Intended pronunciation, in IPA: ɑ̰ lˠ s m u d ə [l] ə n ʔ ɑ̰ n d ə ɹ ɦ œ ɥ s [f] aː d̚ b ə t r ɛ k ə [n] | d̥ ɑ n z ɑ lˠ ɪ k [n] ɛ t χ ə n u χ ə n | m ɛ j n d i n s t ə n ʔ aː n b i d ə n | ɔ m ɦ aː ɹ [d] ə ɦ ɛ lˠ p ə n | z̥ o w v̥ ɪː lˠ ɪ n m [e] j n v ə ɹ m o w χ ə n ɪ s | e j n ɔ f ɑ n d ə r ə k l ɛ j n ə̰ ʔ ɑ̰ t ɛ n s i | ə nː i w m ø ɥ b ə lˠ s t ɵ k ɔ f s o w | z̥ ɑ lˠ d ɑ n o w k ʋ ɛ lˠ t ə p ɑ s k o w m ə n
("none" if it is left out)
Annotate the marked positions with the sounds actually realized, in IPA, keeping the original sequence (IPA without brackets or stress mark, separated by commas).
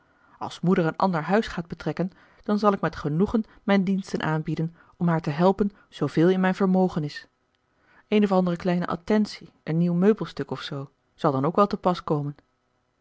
ɹ, χ, n, m, t, ɛ